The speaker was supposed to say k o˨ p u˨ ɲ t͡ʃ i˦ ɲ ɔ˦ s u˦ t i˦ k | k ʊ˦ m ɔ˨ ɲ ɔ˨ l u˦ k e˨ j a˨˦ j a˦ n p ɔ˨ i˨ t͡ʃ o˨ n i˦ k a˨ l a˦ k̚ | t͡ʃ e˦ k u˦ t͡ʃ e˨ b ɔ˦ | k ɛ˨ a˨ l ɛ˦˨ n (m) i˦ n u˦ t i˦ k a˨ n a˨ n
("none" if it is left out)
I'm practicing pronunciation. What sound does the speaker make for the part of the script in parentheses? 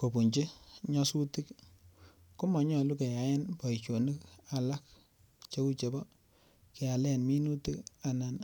m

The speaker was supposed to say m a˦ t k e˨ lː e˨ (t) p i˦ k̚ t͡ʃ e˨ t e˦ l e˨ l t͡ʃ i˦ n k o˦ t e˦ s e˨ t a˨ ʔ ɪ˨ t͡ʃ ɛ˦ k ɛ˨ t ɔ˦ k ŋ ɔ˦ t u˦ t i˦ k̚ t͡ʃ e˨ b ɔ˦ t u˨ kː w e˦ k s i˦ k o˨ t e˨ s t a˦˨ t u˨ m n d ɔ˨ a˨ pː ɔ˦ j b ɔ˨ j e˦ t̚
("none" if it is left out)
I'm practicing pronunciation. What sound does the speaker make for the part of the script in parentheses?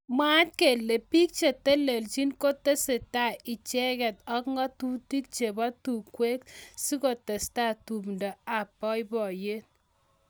none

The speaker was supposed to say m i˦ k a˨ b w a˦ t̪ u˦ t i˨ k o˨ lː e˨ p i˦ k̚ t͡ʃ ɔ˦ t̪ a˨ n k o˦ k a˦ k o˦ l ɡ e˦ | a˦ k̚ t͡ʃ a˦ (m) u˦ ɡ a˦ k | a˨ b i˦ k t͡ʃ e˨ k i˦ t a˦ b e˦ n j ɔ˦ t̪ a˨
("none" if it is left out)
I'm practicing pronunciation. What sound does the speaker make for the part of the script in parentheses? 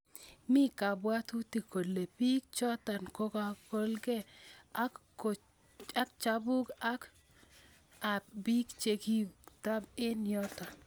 b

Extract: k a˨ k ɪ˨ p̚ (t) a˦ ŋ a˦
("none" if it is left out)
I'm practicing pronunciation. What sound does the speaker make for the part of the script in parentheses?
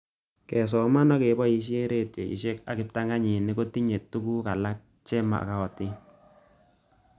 t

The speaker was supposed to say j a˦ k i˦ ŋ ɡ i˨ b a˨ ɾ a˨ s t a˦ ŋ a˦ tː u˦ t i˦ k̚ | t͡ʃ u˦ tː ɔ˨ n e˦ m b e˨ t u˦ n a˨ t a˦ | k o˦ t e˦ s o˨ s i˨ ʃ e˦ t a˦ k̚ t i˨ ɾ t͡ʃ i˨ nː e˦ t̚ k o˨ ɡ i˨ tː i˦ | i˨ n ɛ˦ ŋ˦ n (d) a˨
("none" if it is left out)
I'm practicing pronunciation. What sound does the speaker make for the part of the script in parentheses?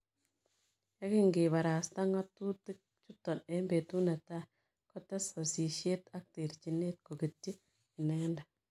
d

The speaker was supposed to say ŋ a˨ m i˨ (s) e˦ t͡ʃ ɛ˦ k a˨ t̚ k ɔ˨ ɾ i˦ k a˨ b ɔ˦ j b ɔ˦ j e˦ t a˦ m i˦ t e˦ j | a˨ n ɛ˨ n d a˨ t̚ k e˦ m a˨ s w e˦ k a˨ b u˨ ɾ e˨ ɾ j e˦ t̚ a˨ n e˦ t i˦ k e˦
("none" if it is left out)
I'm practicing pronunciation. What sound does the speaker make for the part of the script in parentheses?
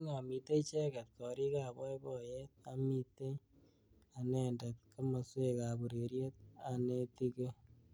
t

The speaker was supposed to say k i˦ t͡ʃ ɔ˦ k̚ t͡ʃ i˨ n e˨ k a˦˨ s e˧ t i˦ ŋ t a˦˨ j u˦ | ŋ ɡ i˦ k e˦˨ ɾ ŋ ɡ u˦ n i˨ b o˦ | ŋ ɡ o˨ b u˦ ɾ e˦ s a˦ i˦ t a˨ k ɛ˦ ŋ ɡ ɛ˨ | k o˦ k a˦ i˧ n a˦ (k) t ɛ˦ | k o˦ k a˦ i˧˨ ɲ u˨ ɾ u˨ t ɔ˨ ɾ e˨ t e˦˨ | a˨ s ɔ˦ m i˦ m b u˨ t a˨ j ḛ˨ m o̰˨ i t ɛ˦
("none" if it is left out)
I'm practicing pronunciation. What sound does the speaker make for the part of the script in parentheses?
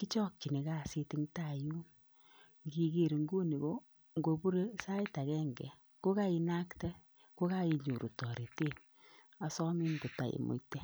k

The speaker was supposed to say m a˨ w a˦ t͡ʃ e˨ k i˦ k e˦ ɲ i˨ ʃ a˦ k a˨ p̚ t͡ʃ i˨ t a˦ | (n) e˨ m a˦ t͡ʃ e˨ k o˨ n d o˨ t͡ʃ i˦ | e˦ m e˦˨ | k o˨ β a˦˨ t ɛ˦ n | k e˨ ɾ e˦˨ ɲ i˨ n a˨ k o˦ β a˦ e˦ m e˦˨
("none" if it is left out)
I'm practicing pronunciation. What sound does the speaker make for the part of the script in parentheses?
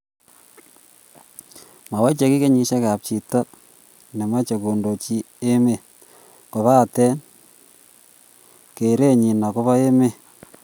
n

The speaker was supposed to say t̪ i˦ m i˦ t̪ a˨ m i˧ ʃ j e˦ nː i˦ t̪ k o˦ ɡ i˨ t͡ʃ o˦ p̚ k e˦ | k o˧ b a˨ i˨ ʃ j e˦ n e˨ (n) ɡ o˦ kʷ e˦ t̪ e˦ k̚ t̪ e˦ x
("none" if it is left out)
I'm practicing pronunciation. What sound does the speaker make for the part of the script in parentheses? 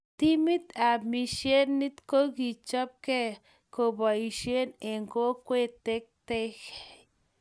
ŋ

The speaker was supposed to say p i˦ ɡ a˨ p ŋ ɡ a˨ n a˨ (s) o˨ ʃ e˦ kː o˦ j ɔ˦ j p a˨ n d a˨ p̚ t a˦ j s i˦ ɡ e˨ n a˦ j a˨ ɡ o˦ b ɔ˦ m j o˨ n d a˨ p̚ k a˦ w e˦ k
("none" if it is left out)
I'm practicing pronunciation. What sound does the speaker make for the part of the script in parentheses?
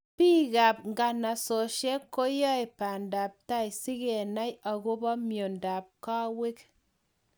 s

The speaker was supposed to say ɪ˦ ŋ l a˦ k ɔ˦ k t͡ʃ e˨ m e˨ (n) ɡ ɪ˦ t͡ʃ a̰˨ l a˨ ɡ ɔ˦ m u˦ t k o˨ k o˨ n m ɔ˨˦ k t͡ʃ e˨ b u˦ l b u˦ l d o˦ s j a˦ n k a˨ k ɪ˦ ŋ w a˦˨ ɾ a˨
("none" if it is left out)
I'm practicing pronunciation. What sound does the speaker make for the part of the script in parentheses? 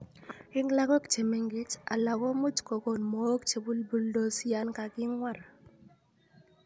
ŋ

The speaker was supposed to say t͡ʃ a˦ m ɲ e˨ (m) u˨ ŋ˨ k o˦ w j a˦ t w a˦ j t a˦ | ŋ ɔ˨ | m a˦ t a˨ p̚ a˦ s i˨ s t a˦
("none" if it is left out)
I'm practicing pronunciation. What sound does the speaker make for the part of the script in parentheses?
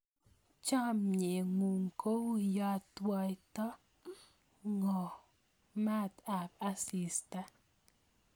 ŋ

